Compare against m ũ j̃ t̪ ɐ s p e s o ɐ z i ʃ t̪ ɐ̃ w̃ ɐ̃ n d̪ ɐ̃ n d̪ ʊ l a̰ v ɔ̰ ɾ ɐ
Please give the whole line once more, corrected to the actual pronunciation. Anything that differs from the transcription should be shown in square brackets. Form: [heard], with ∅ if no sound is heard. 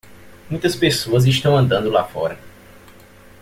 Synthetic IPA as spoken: m ũ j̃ t̪ ɐ s p e s o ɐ z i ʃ t̪ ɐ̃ w̃ ɐ̃ n d̪ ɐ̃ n d̪ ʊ l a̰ [f] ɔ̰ ɾ ɐ